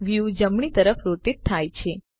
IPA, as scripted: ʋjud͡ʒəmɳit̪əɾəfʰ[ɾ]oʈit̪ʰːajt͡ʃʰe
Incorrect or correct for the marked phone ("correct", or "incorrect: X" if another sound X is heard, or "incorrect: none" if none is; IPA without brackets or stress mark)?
correct